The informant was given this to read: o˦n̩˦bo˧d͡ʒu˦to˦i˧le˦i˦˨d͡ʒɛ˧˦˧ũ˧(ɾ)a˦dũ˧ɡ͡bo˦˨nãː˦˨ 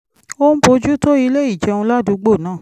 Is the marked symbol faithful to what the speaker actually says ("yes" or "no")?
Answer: no